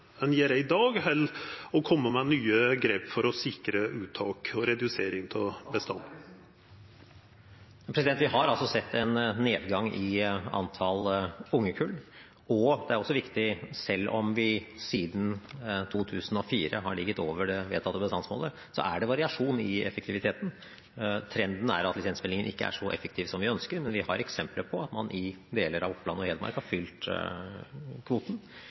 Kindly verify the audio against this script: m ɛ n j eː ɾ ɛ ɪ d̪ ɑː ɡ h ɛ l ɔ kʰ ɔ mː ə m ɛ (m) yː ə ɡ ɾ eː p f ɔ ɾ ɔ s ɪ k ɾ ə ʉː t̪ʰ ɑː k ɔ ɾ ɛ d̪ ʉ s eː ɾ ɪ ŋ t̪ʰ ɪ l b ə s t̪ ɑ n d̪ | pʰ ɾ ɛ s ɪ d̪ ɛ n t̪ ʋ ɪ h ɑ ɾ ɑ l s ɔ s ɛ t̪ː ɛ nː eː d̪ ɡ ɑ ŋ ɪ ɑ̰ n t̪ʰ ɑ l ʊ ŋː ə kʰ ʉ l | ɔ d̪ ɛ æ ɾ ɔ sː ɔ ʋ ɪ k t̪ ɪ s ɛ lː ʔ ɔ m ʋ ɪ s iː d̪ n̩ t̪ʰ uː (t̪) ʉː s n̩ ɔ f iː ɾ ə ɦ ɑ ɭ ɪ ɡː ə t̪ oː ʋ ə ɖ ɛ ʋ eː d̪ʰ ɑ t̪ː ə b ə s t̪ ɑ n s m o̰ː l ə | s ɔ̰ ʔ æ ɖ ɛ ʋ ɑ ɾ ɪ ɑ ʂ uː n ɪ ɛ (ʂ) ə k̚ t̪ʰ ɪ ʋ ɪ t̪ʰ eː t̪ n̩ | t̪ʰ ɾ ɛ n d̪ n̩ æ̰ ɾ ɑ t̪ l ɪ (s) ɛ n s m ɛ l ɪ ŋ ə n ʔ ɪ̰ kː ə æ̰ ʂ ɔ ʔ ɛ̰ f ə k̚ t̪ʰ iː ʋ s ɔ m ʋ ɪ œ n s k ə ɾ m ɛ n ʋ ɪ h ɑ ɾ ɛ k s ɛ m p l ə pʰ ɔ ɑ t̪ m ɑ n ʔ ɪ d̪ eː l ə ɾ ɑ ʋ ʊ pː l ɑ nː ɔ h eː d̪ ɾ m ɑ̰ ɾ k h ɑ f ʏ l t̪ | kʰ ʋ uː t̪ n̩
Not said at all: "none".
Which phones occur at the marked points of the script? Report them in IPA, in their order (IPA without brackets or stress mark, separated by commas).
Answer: n, t̪ʰ, f, s